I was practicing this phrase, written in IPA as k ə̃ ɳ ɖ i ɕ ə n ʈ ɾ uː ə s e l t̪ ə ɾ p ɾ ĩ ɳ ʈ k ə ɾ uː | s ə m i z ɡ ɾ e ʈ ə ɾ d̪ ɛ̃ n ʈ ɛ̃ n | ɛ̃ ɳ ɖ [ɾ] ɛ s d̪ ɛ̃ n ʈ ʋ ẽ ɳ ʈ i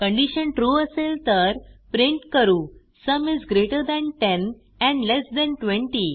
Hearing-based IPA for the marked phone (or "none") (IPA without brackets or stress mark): l